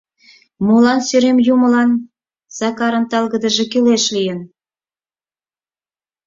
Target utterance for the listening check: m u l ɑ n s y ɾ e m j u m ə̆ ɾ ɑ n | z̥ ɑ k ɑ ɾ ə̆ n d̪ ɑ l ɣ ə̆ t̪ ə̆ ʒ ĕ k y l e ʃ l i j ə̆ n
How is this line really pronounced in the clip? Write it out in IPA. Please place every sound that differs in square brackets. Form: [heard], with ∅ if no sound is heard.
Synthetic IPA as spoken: m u l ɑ n s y ɾ e m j u m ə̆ [l] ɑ n | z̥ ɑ k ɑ ɾ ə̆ n [t̪] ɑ l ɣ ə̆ [d̪] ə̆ ʒ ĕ k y l e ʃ l i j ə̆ n